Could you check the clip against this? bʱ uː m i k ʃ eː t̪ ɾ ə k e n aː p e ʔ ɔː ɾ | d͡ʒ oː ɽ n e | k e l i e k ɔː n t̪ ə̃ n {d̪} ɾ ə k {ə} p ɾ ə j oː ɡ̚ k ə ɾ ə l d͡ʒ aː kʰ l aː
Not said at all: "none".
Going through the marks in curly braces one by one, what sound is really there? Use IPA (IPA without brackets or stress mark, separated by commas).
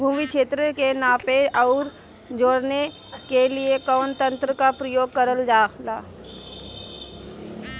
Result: t̪, a